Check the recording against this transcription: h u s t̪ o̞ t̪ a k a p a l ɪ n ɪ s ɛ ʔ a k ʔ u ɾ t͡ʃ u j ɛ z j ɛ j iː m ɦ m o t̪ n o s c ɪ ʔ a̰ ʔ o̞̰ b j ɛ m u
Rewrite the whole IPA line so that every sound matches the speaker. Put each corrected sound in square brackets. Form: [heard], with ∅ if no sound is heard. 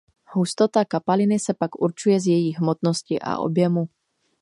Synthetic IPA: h u s t̪ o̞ t̪ a k a p a l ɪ n ɪ s ɛ [p] a k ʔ u ɾ t͡ʃ u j ɛ z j ɛ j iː [∅] ɦ m o t̪ n o s c ɪ ʔ a̰ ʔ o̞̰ b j ɛ m u